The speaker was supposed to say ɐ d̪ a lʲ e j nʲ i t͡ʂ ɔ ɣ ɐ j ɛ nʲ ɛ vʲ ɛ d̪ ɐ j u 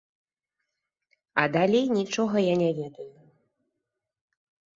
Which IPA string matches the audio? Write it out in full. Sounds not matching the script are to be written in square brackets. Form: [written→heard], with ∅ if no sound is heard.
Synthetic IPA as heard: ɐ d̪ a lʲ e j nʲ i t͡ʂ ɔ ɣ ɐ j [ɛ→a] nʲ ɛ vʲ ɛ d̪ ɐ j u